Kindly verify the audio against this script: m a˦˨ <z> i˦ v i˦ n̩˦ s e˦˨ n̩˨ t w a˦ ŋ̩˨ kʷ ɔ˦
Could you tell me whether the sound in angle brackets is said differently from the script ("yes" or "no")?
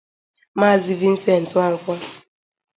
no